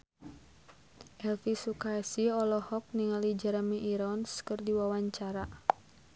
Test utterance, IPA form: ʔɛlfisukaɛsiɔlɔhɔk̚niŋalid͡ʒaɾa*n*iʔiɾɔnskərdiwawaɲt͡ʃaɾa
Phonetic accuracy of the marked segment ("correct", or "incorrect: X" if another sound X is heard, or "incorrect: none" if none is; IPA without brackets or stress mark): incorrect: m